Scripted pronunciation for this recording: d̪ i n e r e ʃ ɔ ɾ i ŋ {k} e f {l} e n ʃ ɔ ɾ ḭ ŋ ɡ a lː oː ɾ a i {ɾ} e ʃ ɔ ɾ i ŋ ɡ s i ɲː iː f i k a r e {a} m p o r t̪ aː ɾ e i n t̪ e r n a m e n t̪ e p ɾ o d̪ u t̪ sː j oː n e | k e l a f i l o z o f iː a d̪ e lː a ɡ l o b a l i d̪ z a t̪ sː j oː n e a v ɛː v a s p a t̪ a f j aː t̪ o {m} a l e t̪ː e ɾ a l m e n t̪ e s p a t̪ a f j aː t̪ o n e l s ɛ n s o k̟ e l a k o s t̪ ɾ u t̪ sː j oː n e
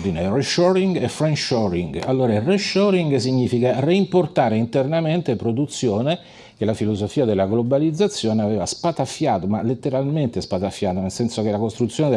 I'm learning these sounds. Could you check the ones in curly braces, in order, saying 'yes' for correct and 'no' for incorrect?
no, no, no, no, yes

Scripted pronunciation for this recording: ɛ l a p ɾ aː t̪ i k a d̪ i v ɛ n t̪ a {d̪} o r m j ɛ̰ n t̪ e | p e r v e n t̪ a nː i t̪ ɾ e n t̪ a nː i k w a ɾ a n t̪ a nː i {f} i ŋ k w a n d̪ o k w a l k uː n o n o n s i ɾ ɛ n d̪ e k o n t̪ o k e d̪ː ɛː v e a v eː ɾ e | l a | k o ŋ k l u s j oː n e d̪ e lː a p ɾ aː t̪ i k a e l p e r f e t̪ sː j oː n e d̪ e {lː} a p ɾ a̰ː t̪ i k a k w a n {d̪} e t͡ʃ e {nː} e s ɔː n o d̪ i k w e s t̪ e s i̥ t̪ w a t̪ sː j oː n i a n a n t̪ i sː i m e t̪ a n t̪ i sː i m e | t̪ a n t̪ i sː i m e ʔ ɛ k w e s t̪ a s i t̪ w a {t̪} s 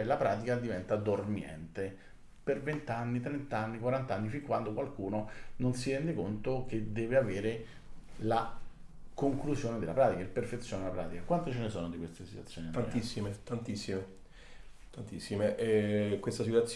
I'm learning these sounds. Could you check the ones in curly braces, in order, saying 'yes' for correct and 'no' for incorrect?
yes, yes, no, no, no, yes

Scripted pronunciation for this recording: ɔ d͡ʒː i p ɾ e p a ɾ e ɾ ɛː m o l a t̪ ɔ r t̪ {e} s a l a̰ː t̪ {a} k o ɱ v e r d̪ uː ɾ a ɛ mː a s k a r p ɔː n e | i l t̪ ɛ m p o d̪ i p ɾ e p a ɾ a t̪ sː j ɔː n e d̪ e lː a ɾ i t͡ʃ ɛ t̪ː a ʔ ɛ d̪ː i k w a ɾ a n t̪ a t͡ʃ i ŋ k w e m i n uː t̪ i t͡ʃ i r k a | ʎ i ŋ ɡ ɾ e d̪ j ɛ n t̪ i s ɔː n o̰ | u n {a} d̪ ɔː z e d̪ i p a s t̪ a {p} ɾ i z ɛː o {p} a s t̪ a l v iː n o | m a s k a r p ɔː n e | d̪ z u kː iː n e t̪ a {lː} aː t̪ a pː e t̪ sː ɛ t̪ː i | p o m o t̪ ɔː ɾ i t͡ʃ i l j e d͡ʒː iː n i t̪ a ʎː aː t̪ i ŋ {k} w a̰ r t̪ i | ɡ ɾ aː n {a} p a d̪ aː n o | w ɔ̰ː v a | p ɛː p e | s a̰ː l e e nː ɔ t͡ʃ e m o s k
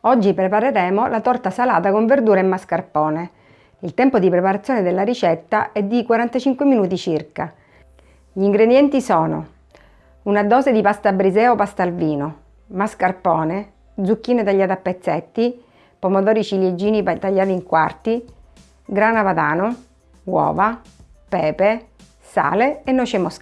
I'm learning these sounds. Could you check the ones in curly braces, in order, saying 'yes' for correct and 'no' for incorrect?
no, yes, yes, no, yes, no, yes, yes

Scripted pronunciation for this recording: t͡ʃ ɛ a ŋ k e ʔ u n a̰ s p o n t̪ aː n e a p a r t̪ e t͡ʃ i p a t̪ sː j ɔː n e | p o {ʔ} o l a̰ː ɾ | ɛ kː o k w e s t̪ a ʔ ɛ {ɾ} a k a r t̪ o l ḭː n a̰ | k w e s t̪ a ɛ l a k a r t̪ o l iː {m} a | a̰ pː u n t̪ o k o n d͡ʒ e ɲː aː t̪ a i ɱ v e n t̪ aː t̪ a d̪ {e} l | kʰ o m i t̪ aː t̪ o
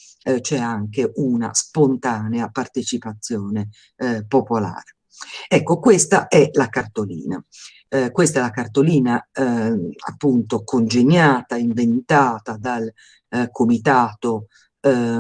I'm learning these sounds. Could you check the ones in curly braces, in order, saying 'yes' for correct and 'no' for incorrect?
no, no, no, no

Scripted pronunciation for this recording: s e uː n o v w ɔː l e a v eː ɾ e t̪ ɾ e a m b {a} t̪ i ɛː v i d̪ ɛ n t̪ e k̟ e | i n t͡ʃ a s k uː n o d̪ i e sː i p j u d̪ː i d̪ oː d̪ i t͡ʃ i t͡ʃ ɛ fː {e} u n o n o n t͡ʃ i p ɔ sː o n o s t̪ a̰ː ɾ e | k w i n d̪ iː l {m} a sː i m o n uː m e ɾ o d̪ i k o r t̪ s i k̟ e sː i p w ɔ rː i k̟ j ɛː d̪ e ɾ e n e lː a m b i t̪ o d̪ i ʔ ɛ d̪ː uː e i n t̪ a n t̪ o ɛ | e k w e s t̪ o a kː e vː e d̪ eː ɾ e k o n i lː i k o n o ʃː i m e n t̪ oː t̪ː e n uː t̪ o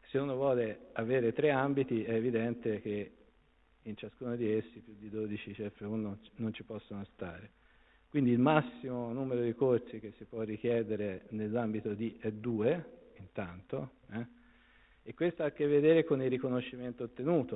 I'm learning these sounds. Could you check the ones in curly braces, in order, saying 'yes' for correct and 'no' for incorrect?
no, yes, yes

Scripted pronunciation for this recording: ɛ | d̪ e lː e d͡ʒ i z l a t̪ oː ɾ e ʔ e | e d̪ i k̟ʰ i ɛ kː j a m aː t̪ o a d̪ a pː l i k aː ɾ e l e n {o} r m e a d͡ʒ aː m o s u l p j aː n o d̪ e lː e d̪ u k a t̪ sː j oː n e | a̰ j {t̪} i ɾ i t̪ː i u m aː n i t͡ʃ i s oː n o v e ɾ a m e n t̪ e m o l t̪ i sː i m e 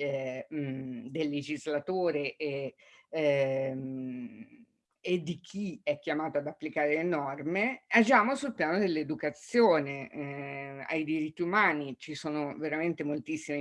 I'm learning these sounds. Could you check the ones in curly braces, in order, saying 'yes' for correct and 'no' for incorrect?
no, no

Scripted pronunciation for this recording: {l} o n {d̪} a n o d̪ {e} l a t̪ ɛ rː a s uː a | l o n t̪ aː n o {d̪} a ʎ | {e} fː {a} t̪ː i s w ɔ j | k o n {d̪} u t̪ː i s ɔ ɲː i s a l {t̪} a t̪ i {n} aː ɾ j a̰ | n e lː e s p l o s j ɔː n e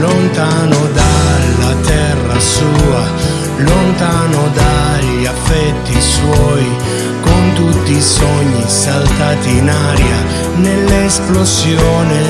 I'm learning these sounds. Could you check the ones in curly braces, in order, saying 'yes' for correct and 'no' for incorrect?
yes, no, no, yes, no, no, no, yes, yes

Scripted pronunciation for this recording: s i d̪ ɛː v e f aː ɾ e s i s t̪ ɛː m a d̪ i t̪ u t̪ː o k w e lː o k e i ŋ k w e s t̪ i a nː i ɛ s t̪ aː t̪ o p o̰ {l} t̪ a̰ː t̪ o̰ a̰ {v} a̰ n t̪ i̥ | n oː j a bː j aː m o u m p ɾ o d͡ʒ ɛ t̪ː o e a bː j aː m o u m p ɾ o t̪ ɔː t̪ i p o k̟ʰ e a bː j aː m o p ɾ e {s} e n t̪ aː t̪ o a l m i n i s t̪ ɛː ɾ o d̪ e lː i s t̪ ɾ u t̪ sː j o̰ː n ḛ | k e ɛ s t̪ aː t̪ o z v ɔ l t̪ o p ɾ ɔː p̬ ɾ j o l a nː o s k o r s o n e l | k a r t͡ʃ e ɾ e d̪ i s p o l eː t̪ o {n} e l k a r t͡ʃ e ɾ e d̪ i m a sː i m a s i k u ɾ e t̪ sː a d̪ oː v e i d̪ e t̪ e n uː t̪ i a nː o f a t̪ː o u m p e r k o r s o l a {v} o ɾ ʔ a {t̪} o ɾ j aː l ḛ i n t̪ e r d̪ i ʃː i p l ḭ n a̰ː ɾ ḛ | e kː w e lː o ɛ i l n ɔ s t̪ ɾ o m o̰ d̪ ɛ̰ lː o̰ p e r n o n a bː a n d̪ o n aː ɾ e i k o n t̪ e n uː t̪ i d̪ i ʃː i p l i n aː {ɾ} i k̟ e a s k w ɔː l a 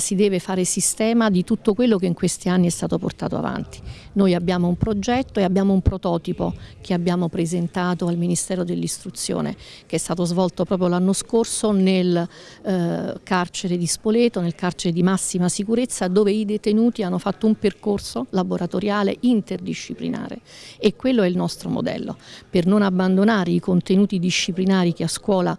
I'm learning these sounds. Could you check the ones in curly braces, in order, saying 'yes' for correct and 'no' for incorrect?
no, yes, no, yes, no, yes, yes

